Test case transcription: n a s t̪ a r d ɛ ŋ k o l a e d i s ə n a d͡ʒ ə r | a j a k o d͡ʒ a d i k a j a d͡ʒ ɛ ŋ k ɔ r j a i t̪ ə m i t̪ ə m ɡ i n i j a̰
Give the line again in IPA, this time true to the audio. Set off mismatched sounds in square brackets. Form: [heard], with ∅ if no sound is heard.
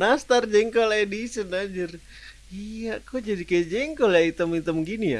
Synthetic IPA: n a s t̪ a r [d͡ʒ] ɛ ŋ k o l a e d i s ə n a d͡ʒ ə r | [i] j a k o d͡ʒ a d i k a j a d͡ʒ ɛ ŋ k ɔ [l] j a i t̪ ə m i t̪ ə m ɡ i n i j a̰